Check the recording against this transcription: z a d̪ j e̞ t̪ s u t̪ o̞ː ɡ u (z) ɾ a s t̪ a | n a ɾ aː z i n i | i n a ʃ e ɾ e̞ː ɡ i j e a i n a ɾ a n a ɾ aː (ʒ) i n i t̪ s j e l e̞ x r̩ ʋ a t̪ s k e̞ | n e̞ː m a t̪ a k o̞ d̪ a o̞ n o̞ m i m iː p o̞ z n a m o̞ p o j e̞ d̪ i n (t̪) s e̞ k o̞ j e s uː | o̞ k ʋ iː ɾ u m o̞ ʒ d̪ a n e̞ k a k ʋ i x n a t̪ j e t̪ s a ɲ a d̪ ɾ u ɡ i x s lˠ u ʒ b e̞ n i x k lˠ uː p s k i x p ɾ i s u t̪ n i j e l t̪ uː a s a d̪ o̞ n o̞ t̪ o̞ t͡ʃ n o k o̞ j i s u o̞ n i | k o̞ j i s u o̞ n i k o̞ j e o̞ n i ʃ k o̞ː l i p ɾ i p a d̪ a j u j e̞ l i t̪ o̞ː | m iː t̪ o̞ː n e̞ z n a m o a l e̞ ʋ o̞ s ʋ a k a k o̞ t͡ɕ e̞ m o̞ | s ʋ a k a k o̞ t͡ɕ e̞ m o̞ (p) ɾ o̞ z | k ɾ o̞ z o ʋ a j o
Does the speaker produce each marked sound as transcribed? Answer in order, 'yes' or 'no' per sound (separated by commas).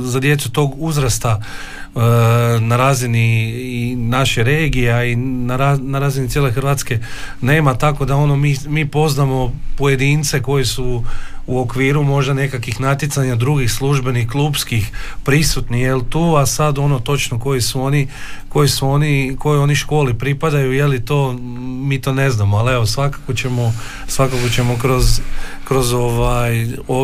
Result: yes, no, yes, no